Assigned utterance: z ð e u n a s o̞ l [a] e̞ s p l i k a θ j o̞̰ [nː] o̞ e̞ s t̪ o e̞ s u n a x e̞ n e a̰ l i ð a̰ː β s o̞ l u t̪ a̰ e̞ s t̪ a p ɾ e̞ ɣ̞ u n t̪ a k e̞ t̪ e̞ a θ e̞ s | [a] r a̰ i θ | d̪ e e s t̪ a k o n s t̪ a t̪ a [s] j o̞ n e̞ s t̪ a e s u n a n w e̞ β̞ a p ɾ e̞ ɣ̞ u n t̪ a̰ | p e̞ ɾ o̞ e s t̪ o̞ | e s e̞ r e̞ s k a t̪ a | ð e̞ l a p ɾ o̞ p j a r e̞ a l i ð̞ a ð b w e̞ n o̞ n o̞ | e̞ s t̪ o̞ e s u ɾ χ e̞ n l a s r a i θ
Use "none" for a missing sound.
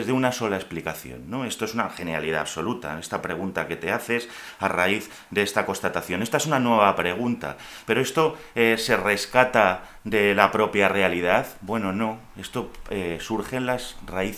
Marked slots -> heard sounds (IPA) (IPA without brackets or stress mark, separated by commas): a, nː, a, θ